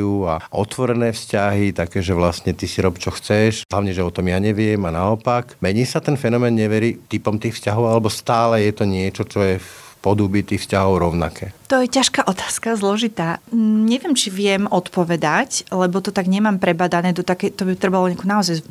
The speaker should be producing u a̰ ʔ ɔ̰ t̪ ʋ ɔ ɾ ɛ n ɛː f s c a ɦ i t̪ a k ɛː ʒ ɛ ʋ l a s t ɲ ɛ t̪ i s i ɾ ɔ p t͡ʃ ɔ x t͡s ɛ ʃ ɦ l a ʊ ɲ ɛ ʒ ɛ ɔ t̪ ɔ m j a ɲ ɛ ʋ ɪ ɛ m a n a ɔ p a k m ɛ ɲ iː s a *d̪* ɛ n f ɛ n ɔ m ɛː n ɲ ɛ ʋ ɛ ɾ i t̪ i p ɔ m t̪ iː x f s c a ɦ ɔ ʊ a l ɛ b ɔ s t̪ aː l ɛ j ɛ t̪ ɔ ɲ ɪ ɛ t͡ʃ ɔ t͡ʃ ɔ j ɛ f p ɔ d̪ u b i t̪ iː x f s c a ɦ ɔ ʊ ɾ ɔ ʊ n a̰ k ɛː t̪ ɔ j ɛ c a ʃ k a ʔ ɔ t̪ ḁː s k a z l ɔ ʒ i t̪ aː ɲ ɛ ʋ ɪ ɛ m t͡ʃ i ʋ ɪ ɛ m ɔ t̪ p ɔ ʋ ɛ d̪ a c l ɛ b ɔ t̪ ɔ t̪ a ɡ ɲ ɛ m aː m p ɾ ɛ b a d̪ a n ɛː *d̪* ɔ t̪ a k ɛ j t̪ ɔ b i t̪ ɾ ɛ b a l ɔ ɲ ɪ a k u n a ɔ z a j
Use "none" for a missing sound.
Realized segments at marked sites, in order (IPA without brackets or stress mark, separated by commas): t̪, d̪